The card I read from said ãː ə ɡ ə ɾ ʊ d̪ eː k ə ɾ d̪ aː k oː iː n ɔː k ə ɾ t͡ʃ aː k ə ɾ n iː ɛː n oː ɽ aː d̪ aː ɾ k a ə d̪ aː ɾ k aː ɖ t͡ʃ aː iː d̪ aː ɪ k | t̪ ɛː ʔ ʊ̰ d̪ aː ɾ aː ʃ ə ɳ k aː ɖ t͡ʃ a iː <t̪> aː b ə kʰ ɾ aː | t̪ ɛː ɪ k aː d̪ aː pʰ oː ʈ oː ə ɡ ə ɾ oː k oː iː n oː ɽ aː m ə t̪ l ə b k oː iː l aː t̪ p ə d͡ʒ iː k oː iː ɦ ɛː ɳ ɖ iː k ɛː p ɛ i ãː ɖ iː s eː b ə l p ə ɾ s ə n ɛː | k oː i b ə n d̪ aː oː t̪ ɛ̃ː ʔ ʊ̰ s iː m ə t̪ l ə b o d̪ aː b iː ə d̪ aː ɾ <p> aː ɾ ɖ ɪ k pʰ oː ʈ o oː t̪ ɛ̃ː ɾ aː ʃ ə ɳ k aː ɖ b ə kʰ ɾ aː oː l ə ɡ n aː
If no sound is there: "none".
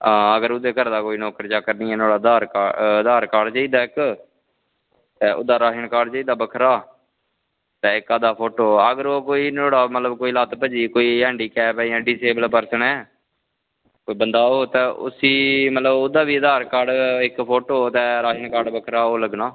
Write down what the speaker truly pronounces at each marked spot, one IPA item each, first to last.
d̪, k

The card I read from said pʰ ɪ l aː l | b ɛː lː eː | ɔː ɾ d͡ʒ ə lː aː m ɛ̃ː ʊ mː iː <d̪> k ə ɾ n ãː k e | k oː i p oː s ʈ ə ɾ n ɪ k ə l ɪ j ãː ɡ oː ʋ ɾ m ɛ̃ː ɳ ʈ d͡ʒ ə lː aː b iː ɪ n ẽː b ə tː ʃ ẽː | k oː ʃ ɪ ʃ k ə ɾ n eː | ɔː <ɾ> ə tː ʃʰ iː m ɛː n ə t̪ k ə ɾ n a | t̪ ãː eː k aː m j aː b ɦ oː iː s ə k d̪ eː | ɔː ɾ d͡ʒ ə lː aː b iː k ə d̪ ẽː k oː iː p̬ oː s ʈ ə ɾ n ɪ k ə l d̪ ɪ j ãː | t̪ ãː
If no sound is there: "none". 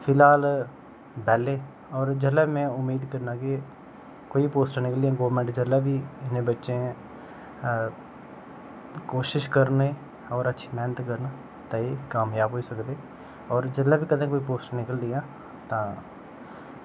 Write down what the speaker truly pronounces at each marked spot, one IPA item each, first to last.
d̪, ɾ

